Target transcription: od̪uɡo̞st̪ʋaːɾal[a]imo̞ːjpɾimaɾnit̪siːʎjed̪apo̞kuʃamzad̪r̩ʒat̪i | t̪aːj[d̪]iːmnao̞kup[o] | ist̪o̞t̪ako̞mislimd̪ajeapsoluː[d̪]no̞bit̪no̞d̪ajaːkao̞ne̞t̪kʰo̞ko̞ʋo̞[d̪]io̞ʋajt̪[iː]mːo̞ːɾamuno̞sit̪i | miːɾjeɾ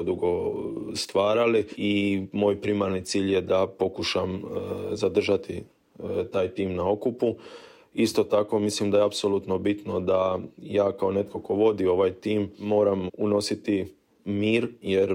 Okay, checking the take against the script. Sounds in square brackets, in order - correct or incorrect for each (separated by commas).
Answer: incorrect, incorrect, incorrect, incorrect, correct, correct